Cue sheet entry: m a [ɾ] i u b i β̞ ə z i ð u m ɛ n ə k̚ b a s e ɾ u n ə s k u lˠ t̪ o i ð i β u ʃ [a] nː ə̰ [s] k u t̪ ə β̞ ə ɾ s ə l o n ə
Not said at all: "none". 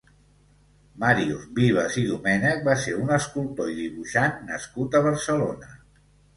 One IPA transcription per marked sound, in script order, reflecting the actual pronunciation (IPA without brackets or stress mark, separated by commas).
ɾ, a, s